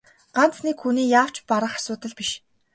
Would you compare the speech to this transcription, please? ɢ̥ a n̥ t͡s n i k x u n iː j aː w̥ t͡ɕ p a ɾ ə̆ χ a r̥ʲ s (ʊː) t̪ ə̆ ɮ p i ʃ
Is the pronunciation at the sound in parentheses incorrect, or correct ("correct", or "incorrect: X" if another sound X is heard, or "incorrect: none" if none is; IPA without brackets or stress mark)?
correct